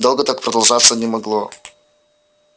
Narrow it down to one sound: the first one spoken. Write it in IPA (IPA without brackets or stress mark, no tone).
d̪